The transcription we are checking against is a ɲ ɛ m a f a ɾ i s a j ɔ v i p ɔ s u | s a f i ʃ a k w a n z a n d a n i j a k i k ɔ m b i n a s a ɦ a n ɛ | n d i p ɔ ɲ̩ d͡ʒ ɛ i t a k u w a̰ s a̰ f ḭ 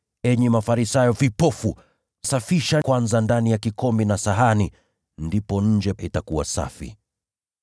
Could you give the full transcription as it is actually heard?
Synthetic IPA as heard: ɛ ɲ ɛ m a f a ɾ i s a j ɔ v i p ɔ f u | s a f i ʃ a k w a n z a n d a n i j a k i k ɔ m b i n a s a ɦ a n i | n d i p ɔ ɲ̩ d͡ʒ ɛ i t a k u w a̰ s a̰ f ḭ